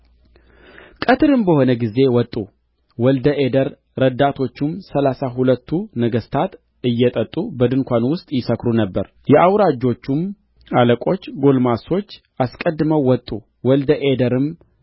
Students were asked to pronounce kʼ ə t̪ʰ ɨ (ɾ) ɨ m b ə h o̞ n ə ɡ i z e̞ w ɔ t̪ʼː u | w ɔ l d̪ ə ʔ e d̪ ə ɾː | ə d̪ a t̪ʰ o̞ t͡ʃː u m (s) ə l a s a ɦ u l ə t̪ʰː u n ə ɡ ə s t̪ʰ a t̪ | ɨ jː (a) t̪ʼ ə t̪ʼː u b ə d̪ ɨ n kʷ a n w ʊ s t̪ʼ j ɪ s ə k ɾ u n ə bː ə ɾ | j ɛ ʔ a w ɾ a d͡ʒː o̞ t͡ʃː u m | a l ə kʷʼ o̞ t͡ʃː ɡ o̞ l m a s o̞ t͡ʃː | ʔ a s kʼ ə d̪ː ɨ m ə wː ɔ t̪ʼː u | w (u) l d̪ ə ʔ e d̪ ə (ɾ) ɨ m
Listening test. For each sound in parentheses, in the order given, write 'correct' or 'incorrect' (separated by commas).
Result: correct, correct, incorrect, incorrect, correct